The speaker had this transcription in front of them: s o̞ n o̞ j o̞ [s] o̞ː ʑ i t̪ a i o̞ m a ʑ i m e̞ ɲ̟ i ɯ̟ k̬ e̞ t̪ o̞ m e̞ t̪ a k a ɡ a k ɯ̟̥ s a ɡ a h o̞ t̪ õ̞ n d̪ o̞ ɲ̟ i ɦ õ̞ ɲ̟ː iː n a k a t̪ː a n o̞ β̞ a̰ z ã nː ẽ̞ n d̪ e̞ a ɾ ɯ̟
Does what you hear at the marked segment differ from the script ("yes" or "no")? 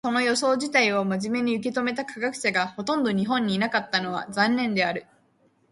no